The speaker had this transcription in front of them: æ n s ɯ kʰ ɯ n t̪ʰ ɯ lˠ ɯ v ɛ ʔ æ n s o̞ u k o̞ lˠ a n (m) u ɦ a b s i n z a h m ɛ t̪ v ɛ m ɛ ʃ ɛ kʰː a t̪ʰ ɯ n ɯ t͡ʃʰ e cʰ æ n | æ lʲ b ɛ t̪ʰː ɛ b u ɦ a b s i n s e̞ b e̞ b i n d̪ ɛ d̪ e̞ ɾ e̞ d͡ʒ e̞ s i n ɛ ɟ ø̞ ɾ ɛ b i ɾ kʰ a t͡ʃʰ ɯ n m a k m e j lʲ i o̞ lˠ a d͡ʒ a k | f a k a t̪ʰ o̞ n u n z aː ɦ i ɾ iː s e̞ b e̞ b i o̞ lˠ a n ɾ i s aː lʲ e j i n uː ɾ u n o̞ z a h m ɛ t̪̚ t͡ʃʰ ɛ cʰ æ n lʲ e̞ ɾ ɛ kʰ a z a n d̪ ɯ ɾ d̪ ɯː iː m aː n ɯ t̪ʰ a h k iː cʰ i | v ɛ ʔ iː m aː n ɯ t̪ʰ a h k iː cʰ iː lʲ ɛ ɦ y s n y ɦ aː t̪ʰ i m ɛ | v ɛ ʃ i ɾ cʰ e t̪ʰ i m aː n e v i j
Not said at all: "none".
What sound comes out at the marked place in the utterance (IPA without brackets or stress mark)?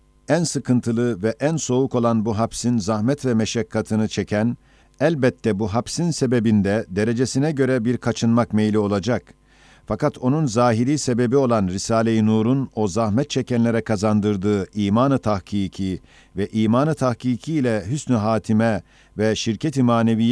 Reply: b